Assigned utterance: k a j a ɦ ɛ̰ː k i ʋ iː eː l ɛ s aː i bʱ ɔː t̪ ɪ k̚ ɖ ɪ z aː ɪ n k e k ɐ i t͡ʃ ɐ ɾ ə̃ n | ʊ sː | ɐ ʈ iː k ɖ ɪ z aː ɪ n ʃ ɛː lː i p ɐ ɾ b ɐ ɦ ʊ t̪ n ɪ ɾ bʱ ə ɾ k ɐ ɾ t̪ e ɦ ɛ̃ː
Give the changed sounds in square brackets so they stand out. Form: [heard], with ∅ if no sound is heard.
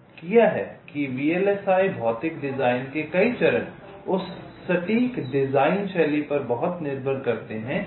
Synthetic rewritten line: k [i] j a ɦ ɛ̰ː k i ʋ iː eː l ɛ s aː i bʱ ɔː t̪ ɪ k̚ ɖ ɪ z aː ɪ n k e k ɐ i t͡ʃ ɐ ɾ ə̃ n | ʊ sː | ɐ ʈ iː k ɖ ɪ z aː ɪ n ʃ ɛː [l] i p ɐ ɾ b ɐ ɦ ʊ t̪ n ɪ ɾ bʱ ə ɾ k ɐ ɾ t̪ e ɦ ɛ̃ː